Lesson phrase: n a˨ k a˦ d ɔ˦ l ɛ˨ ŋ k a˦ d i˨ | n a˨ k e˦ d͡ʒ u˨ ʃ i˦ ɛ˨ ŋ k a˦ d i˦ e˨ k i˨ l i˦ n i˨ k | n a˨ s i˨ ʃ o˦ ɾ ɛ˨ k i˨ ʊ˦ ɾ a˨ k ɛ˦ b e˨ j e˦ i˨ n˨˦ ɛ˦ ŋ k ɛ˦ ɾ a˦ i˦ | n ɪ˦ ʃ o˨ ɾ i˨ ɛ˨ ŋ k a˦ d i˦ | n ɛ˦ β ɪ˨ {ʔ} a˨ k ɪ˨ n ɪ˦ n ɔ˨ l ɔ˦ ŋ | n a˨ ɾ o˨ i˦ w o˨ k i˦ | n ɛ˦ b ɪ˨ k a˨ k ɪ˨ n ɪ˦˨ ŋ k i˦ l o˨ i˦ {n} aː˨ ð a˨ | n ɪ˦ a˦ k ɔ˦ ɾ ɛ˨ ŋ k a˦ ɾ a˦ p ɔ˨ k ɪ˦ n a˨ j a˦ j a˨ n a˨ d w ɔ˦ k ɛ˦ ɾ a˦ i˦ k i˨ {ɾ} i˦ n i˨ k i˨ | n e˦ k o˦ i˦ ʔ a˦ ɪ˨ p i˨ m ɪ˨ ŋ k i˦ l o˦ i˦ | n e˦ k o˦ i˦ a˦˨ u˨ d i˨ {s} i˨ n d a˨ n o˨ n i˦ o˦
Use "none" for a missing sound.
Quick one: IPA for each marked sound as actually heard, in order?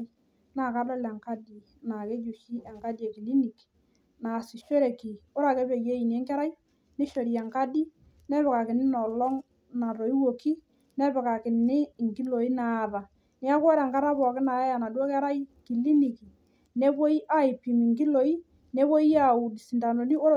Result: k, n, l, s

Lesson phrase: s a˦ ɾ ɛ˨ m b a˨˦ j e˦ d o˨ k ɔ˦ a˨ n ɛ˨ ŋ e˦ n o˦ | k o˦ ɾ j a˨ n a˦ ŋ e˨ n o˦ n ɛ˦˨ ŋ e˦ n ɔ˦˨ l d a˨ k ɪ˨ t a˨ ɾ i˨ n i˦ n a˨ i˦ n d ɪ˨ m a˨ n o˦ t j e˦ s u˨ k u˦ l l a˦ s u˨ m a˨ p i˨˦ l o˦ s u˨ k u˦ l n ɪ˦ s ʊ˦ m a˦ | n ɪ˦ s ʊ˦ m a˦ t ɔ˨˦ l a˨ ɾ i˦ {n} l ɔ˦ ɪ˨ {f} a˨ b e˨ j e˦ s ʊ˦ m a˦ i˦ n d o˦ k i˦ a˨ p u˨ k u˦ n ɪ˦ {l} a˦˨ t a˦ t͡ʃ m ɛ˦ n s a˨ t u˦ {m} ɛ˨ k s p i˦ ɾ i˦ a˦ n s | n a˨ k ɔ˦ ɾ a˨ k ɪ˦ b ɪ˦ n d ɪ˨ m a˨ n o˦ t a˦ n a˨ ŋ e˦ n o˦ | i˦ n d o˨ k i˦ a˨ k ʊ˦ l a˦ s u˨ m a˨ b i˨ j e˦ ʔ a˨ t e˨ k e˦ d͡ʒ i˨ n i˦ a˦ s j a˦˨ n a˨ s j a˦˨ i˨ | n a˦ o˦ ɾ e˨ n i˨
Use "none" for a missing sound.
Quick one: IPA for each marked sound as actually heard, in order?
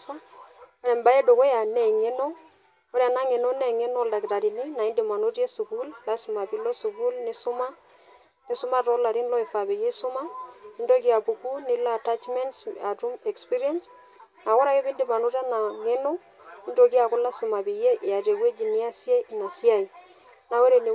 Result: n, f, l, m

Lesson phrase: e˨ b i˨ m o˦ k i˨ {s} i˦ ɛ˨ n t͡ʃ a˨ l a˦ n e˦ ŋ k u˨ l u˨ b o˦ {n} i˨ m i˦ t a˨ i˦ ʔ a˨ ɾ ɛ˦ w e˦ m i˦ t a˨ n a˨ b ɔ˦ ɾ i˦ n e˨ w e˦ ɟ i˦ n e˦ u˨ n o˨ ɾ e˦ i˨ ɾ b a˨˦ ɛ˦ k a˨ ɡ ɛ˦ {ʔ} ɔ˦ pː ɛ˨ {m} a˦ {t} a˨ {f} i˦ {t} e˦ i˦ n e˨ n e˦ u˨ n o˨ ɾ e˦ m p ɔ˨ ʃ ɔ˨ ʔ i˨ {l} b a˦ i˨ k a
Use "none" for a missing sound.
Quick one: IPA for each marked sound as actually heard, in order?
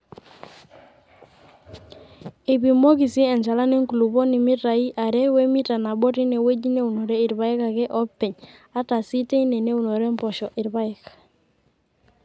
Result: s, n, ʔ, ɲ, t, s, t, ɾ

